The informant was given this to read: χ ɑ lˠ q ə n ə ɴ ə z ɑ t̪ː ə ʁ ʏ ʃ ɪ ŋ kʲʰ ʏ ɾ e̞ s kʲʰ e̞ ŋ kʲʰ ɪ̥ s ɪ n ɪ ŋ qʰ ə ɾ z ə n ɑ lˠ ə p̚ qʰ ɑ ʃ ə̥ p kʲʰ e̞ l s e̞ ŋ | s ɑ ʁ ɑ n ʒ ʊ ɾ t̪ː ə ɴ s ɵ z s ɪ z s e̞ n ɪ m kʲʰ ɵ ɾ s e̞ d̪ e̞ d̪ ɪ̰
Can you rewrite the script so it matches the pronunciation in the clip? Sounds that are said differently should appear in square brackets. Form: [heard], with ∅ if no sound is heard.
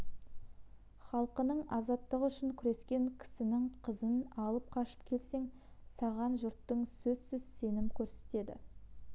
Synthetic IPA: χ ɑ lˠ q ə n ə ɴ [ɑ] z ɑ t̪ː ə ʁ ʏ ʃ ɪ ŋ kʲʰ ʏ ɾ e̞ s [kʲ] e̞ ŋ kʲʰ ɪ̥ s ɪ n ɪ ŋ qʰ ə [∅] z ə n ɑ lˠ ə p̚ qʰ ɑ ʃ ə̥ p kʲʰ e̞ l s e̞ ŋ | s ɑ ʁ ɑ n ʒ ʊ ɾ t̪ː ə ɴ s ɵ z s ɪ z s e̞ n ɪ m kʲʰ ɵ ɾ s e̞ [t̪] e̞ d̪ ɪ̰

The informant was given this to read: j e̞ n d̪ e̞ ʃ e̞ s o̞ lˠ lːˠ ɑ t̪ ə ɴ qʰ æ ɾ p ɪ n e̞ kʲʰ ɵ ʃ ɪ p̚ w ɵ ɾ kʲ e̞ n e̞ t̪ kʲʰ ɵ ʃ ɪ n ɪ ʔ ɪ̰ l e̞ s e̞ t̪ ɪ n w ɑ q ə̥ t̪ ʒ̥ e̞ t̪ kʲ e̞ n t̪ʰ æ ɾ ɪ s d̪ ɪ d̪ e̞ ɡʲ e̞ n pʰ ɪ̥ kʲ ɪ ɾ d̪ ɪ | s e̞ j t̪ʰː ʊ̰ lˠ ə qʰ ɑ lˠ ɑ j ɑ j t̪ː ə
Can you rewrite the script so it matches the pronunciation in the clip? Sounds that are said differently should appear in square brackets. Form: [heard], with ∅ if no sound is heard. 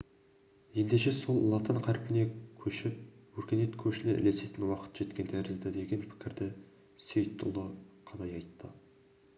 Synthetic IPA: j e̞ n d̪ e̞ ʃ e̞ s o̞ lˠ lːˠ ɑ t̪ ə ɴ qʰ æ ɾ p ɪ n e̞ kʲʰ ɵ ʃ ɪ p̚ w ɵ ɾ kʲ e̞ n e̞ t̪ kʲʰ ɵ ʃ ɪ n ɪ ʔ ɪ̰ l e̞ s e̞ t̪ ɪ n w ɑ q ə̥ t̪ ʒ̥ e̞ t̪ kʲ e̞ n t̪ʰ æ ɾ ɪ [z] d̪ ɪ d̪ e̞ ɡʲ e̞ n pʰ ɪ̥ kʲ ɪ ɾ d̪ ɪ | s e̞ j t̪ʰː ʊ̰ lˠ ə qʰ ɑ lˠ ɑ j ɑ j t̪ː ə

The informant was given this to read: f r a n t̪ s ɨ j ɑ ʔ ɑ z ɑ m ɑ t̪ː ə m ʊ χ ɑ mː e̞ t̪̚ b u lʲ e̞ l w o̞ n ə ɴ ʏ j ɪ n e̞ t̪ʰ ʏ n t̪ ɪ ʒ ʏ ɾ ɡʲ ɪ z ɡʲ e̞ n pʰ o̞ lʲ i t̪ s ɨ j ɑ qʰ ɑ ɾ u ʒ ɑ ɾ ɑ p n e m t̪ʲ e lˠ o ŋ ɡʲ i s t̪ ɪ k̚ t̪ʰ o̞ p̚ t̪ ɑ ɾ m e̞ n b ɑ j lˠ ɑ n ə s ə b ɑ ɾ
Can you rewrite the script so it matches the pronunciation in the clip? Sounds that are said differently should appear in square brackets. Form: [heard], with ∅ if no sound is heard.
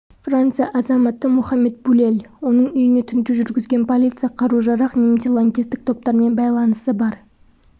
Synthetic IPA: f r a n t̪ s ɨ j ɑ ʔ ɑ z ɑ m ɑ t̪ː ə m ʊ χ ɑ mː e̞ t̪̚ b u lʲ e̞ l w o̞ n ə ɴ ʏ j ɪ n e̞ t̪ʰ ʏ n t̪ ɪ ʒ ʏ ɾ ɡʲ ɪ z ɡʲ e̞ n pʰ o̞ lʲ i t̪ s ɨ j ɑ qʰ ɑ ɾ u ʒ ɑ ɾ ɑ [q] n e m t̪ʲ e lˠ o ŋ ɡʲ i s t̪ ɪ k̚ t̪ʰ o̞ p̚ t̪ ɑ ɾ m e̞ n b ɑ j lˠ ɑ n ə s ə b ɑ ɾ

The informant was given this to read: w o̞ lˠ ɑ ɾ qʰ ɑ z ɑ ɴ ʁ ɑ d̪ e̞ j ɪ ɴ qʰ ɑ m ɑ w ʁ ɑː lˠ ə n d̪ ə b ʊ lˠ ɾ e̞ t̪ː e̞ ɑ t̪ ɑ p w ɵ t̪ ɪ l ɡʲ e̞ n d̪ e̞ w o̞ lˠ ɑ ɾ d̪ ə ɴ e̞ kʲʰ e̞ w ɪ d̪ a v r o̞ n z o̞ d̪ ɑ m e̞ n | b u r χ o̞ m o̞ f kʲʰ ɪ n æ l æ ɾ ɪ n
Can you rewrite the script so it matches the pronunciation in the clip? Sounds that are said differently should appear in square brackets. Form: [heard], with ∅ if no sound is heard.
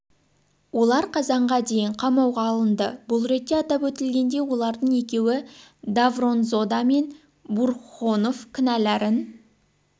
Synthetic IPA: w o̞ lˠ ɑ ɾ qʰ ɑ z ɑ ɴ ʁ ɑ d̪ e̞ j ɪ ɴ qʰ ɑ m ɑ w ʁ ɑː lˠ ə n d̪ ə b ʊ lˠ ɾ e̞ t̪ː e̞ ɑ t̪ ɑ p w ɵ t̪ ɪ l ɡʲ e̞ n d̪ e̞ w o̞ lˠ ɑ ɾ d̪ ə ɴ e̞ [kʲ] e̞ w ɪ d̪ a v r o̞ n z o̞ d̪ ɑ m e̞ n | b u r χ o̞ [n] o̞ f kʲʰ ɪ n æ l æ ɾ ɪ n

